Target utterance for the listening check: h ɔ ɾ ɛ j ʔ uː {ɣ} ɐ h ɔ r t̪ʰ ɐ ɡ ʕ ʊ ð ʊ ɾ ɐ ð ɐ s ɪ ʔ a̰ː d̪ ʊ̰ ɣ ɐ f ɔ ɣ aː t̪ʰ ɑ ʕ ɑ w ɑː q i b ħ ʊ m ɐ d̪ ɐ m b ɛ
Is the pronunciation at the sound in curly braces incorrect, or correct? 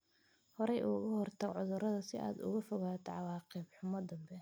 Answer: correct